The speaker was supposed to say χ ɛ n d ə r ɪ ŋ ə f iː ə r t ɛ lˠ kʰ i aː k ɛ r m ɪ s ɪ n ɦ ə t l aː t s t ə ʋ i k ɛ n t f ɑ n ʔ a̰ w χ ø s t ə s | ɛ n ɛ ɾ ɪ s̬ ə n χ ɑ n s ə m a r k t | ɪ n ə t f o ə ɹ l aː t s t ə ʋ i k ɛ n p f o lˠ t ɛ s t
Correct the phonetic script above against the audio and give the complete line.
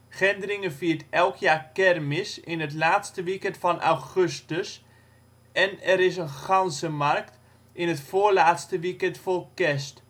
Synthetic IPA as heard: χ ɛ n d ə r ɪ ŋ ə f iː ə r t ɛ lˠ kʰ j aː k ɛ r m ɪ s ɪ n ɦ ə t l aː t s t ə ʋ i k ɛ n t f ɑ n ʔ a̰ w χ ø s t ə s | ɛ n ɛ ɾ ɪ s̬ ə n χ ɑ n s ə m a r k t | ɪ n ə t f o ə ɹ l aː t s t ə ʋ i k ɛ n t f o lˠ k ɛ s t